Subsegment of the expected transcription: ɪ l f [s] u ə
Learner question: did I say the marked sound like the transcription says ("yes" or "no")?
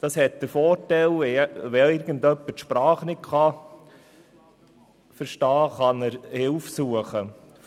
yes